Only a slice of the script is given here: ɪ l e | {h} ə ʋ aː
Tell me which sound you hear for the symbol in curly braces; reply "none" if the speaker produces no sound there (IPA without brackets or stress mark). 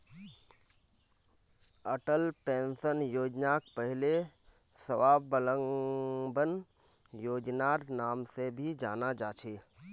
s